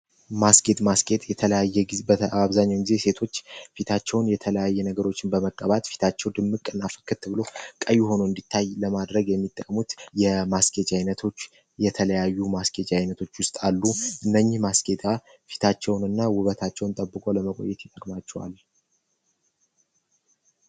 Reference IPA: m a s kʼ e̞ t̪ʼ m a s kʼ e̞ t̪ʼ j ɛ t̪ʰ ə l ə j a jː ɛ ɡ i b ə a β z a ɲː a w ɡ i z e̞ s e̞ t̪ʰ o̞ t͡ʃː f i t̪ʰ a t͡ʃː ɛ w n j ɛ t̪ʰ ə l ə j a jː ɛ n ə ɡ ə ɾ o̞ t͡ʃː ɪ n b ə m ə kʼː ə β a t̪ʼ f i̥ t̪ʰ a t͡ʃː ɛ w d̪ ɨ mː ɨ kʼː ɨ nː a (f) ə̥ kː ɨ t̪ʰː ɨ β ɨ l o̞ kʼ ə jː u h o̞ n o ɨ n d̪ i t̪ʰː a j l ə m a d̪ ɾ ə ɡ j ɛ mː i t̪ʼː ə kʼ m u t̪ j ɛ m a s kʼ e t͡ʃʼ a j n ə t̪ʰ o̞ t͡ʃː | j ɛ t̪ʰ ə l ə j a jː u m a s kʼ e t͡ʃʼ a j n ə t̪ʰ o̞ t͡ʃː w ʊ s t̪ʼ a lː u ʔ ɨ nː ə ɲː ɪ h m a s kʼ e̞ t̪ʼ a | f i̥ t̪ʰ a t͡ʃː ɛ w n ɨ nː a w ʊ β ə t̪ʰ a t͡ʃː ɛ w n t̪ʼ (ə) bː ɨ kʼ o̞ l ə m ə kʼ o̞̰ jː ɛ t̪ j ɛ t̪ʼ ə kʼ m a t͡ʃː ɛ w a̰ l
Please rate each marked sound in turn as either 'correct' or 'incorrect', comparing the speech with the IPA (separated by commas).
correct, correct